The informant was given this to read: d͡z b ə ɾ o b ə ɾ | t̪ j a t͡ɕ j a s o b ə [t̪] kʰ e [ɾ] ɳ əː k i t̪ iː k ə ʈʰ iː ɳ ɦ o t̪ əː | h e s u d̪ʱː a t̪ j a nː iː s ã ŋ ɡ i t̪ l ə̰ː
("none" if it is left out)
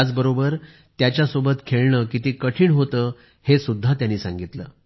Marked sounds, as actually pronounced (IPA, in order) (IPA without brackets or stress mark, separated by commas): t̪, ɭ